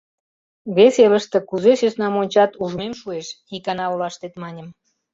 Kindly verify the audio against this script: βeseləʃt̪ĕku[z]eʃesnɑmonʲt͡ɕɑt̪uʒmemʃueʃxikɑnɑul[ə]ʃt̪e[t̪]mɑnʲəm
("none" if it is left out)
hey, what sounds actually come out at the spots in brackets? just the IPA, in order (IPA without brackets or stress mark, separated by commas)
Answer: z, ɑ, t̪